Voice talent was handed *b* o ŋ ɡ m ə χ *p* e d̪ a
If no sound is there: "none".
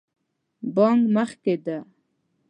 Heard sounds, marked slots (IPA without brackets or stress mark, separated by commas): b, k